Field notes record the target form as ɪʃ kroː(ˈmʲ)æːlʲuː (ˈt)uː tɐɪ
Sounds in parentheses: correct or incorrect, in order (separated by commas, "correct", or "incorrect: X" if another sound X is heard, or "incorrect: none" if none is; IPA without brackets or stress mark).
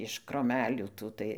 correct, correct